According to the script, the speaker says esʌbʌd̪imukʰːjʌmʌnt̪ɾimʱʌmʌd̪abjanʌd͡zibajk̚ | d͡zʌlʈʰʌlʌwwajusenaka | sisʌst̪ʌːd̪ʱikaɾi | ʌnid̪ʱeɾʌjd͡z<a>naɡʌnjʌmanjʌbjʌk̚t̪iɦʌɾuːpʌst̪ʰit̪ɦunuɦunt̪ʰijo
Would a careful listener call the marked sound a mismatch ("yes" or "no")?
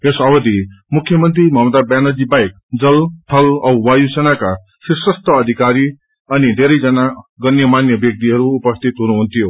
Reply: yes